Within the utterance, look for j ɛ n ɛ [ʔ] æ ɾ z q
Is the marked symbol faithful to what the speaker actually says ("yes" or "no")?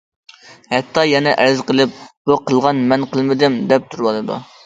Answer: yes